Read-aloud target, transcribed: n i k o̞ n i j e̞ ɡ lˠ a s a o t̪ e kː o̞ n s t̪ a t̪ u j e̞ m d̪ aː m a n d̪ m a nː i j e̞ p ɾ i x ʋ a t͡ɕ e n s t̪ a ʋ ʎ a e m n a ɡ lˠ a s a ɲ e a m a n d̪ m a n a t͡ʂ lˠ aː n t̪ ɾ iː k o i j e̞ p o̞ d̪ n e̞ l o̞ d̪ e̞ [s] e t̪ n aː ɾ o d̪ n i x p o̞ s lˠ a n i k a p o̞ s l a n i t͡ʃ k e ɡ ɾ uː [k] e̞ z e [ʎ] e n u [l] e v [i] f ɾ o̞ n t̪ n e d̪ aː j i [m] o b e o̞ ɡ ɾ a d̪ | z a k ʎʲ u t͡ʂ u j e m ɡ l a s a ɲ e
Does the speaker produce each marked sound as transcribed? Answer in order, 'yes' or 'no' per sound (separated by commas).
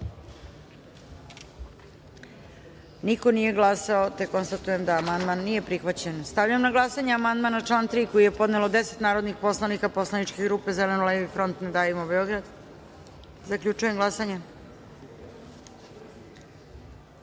yes, no, no, yes, yes, yes